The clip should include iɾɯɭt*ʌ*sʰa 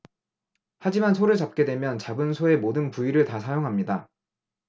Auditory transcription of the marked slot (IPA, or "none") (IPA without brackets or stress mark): a